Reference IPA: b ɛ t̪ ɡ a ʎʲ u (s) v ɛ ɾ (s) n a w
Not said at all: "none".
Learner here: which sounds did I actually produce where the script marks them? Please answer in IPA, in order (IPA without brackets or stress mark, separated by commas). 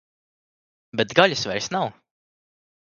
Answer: s, s